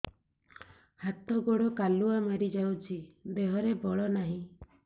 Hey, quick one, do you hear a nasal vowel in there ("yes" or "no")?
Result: yes